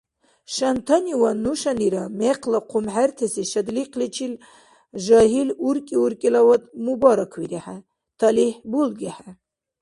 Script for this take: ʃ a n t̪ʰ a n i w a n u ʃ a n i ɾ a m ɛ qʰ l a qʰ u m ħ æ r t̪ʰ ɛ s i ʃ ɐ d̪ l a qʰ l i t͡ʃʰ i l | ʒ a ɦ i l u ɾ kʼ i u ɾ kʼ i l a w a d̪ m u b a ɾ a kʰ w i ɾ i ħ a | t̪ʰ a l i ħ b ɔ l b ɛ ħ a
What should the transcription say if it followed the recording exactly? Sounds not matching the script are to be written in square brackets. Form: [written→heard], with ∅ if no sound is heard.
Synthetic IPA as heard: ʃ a n t̪ʰ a n i w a n u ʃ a n i ɾ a m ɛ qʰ l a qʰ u m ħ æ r t̪ʰ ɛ s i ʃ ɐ d̪ l [a→i] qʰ l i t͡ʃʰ i l | ʒ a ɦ i l u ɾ kʼ i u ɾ kʼ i l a w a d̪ m u b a ɾ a kʰ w i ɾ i ħ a | t̪ʰ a l i ħ b [ɔ→u] l [b→ɡ] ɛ ħ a